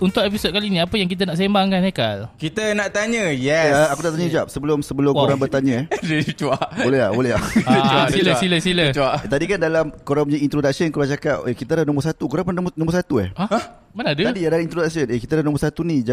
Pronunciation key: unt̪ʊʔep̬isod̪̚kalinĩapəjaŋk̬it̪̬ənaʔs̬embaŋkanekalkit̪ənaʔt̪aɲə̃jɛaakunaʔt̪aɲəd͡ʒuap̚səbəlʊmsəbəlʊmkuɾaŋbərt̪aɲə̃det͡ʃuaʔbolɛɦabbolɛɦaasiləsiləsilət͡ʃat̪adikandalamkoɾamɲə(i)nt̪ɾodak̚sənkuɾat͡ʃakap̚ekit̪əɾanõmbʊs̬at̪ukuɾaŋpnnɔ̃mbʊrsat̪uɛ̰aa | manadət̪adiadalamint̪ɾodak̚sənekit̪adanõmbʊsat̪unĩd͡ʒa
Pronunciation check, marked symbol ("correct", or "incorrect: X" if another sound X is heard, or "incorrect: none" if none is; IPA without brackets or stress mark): correct